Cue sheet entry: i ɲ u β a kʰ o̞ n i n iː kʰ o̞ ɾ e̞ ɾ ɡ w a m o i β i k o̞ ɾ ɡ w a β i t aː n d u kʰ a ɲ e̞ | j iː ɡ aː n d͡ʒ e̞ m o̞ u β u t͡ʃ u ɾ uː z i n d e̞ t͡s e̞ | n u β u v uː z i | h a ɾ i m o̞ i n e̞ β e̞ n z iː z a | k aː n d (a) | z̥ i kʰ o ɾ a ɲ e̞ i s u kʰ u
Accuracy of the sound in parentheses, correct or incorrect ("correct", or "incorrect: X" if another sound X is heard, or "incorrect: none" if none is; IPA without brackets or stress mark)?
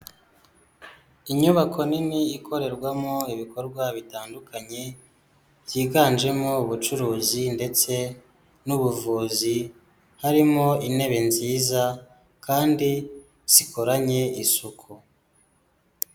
incorrect: i